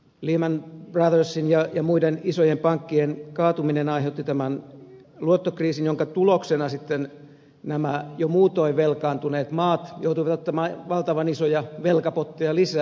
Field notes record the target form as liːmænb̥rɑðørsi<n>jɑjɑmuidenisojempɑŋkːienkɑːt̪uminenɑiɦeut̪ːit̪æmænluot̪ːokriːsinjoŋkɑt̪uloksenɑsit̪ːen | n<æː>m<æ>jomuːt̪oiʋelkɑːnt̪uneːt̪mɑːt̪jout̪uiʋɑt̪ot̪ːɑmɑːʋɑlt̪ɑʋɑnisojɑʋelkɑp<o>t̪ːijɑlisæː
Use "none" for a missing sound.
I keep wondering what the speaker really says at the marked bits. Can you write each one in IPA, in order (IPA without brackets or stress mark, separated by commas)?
n, æ, æ, o